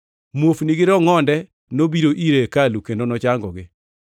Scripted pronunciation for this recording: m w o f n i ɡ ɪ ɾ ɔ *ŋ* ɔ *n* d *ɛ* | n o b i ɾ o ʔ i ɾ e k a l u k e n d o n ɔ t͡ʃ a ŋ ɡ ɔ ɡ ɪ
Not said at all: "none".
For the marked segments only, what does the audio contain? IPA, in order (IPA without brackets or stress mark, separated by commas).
ŋ, n, ɛ